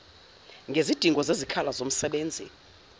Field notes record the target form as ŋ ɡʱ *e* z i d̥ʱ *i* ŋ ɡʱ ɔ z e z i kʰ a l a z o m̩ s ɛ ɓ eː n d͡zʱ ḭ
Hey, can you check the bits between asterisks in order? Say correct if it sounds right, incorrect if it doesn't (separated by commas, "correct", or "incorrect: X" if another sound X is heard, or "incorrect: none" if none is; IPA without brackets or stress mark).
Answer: correct, correct